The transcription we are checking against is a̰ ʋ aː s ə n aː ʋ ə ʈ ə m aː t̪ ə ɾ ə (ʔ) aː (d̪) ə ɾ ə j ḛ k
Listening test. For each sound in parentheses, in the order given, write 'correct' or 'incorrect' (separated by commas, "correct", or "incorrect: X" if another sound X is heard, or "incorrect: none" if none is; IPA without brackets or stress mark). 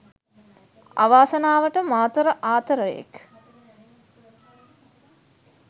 correct, incorrect: t̪